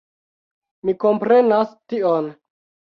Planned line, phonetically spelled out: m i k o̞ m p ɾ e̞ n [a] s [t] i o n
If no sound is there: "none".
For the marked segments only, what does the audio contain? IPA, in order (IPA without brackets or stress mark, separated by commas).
a, t